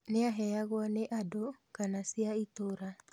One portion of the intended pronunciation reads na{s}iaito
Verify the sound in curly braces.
correct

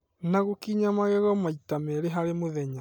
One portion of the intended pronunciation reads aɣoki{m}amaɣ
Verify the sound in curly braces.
incorrect: ɲ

